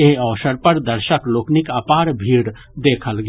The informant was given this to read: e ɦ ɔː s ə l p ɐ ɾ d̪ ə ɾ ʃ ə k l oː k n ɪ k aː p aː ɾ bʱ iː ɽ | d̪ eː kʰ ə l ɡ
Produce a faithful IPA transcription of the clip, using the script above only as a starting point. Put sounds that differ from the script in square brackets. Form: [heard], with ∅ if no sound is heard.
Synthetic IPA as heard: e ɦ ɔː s ə [ɾ] p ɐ ɾ d̪ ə ɾ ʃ ə k l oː k n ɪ k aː p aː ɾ bʱ iː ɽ | d̪ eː kʰ ə l ɡ

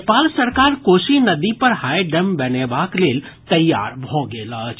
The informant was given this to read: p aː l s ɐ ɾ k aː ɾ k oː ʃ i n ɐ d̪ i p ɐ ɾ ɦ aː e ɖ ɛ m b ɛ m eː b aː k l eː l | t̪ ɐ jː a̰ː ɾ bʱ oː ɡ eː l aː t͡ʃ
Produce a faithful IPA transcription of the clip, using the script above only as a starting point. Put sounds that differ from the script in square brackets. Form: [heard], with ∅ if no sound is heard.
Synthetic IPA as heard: p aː l s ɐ ɾ k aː ɾ k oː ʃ i n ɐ d̪ i p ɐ ɾ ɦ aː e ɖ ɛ m b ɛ [n] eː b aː k l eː l | t̪ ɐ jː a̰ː ɾ bʱ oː ɡ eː l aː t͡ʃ

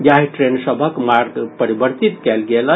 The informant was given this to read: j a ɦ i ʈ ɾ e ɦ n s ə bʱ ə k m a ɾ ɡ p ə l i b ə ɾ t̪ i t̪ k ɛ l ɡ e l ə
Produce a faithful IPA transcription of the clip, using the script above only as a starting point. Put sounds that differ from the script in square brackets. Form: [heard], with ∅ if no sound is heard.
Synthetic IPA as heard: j a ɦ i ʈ ɾ e [∅] n s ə bʱ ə k m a ɾ ɡ p ə [ɾ] i b ə ɾ t̪ i t̪ k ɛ l ɡ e l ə

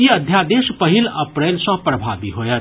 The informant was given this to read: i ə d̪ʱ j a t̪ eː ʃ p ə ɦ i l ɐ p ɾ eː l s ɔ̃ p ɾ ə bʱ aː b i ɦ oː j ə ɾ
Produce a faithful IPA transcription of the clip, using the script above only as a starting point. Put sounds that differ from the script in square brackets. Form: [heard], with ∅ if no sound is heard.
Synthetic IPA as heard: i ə d̪ʱ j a [d̪] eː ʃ p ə ɦ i l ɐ p ɾ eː l s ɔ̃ p ɾ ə bʱ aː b i ɦ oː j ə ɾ

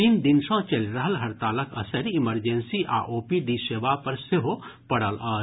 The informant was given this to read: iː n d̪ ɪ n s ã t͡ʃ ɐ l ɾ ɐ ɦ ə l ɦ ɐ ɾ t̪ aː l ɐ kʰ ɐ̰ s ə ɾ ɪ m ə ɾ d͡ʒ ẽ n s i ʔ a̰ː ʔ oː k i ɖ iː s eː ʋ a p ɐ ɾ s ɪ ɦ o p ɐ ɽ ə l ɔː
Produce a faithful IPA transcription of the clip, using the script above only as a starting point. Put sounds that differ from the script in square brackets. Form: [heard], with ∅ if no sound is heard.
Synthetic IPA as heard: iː n d̪ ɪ n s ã t͡ʃ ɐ l ɾ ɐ ɦ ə l ɦ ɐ ɾ t̪ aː l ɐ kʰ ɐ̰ s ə ɾ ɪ m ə ɾ d͡ʒ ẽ n s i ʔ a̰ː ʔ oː [p] i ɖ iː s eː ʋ a p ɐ ɾ s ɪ ɦ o p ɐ ɽ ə l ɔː

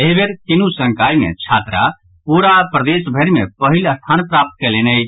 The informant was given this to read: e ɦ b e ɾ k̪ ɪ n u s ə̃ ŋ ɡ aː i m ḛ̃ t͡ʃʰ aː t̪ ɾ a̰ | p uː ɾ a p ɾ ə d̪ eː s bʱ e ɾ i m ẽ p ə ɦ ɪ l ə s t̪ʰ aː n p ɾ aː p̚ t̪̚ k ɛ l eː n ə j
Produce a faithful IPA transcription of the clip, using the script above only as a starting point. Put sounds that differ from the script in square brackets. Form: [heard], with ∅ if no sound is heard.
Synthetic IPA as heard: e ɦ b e ɾ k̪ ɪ n u s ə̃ ŋ [k] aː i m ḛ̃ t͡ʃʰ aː t̪ ɾ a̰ | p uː ɾ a p ɾ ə d̪ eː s bʱ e ɾ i m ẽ p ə ɦ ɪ l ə s t̪ʰ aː n p ɾ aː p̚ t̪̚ k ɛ l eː n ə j

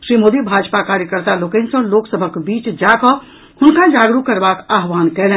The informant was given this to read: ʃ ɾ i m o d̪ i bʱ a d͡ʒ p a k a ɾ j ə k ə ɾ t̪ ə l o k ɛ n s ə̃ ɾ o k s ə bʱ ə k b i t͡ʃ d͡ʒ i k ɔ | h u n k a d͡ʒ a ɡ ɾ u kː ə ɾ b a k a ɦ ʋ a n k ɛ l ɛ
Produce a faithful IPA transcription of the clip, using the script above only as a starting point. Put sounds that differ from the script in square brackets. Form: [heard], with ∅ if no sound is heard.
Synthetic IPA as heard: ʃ ɾ i m o d̪ i bʱ a d͡ʒ p a k a ɾ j ə k ə ɾ t̪ [a] l o k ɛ n s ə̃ [l] o k s ə bʱ ə k b i t͡ʃ d͡ʒ [a] k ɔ | h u n k a d͡ʒ a ɡ ɾ u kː ə ɾ b a k a ɦ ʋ a n k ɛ l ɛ

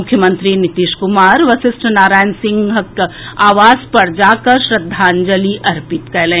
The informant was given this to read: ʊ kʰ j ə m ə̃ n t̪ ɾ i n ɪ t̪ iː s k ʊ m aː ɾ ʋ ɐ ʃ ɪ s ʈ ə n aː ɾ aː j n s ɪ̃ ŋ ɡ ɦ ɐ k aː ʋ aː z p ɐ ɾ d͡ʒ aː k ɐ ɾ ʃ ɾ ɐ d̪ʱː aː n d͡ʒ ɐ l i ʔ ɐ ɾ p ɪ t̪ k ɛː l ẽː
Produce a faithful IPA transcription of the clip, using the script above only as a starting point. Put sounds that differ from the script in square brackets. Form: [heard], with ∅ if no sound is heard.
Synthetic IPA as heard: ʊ kʰ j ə m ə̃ n t̪ ɾ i n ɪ t̪ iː [ʃ] k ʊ m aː ɾ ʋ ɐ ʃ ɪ s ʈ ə n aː ɾ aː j n s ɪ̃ ŋ ɡ ɦ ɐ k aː ʋ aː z p ɐ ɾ d͡ʒ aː k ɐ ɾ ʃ ɾ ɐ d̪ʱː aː n d͡ʒ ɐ l i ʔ ɐ ɾ p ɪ t̪ k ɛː l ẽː

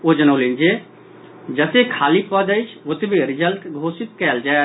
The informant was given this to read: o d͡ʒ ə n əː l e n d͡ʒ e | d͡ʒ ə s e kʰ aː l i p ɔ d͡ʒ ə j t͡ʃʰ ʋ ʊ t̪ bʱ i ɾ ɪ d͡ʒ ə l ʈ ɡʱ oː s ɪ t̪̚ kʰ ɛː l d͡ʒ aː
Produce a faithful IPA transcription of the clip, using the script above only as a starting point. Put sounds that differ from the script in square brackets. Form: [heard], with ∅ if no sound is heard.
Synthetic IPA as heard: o d͡ʒ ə n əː l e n d͡ʒ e | d͡ʒ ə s e kʰ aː l i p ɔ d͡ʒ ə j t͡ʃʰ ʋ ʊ t̪ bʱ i ɾ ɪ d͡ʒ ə l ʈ ɡʱ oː s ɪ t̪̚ [k] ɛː l d͡ʒ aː

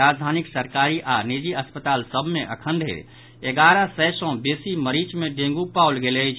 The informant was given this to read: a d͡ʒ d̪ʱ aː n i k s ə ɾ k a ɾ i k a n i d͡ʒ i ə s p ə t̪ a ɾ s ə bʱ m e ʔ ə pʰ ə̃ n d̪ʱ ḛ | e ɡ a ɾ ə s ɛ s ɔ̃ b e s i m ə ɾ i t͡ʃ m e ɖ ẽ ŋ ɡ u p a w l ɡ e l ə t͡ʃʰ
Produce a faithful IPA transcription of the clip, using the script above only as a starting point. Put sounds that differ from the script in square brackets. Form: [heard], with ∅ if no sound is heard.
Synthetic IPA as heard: a d͡ʒ d̪ʱ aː n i k s ə ɾ k a ɾ i [ʔ] a n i d͡ʒ i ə s p ə t̪ a [l] s ə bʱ m e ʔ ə [kʰ] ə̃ n d̪ʱ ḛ | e ɡ a ɾ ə s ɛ s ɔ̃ b e s i m ə ɾ i t͡ʃ m e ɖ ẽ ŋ ɡ u p a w l ɡ e l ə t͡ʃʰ

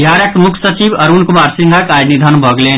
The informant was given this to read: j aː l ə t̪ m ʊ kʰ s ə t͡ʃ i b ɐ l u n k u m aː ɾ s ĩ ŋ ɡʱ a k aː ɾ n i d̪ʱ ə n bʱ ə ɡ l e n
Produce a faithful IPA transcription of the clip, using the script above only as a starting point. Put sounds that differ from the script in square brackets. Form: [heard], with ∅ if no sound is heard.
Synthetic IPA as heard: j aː [ɾ] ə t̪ m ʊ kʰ s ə t͡ʃ i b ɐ [ɾ] u n k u m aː ɾ s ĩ ŋ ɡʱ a k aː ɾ n i d̪ʱ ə n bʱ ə ɡ l e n

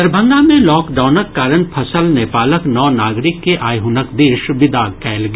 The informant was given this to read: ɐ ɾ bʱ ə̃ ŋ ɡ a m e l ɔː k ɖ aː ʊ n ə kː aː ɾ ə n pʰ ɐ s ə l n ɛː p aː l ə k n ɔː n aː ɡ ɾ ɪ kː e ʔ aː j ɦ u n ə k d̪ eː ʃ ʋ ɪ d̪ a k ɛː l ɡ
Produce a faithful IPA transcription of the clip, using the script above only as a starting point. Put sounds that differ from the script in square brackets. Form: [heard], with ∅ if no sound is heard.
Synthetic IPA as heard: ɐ ɾ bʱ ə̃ ŋ ɡ a m [ẽ] l ɔː k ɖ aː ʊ n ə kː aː ɾ ə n pʰ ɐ s ə l n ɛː p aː l ə k n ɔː n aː ɡ ɾ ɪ kː e ʔ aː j ɦ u n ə k d̪ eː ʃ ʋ ɪ d̪ a k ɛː l ɡ

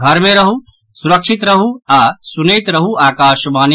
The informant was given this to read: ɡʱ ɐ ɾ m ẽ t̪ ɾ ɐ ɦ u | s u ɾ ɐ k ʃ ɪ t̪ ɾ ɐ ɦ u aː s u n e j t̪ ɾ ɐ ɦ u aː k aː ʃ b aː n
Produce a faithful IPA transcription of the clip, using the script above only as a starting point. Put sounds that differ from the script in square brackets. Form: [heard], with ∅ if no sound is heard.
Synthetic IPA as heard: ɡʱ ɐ ɾ m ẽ [∅] ɾ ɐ ɦ u | s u ɾ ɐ k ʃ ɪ t̪ ɾ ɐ ɦ u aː s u n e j t̪ ɾ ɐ ɦ u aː k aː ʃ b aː n

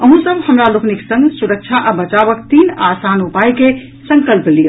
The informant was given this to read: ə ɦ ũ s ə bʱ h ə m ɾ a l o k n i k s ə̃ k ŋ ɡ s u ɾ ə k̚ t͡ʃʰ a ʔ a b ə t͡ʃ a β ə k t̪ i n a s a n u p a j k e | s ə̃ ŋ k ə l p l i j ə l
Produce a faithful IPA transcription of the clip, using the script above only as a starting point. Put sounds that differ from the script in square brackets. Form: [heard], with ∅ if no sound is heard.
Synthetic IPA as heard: ə ɦ ũ s ə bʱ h ə m ɾ a l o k n i k s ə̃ [∅] ŋ ɡ s u ɾ ə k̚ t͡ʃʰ a ʔ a b ə t͡ʃ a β ə k t̪ i n a s a n u p a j k e | s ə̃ ŋ k ə l p l i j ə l

